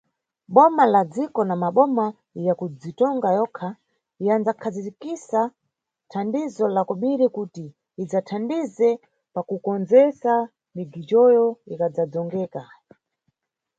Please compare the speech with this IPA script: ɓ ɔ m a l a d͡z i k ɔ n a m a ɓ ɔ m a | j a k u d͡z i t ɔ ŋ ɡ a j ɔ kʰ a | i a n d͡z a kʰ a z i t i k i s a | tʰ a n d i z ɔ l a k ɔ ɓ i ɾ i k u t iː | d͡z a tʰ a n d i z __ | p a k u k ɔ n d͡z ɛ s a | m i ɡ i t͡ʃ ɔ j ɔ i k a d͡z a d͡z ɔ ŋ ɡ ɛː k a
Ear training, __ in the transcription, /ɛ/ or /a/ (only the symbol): ɛ